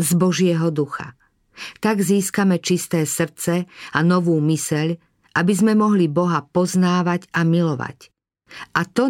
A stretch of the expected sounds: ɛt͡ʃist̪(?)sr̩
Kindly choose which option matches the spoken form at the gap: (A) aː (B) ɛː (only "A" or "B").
B